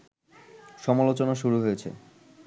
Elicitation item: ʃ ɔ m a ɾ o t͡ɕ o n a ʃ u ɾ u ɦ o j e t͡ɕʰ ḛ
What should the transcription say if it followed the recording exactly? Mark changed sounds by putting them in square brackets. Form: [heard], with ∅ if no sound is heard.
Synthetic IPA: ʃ ɔ m a [l] o t͡ɕ o n a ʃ u ɾ u ɦ o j e t͡ɕʰ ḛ

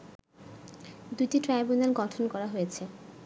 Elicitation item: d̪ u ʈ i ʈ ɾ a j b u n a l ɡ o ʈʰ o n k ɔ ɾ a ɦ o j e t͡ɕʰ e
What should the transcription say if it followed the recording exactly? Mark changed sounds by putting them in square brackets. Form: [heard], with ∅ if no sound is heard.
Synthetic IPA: d̪ u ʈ i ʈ ɾ a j b u n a l ɡ [ɔ] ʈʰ o n k ɔ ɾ a ɦ o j e t͡ɕʰ e

